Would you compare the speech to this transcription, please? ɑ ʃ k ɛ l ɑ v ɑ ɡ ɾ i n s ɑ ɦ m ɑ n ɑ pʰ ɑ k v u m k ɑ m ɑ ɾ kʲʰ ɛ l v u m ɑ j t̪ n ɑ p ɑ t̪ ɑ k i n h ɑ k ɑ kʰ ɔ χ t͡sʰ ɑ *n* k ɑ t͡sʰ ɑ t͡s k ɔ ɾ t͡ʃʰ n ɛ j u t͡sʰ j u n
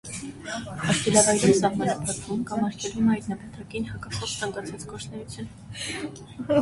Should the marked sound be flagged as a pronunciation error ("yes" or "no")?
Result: yes